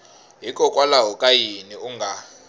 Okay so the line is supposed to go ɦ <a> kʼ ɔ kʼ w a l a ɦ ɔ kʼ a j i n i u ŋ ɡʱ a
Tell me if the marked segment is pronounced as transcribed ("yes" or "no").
no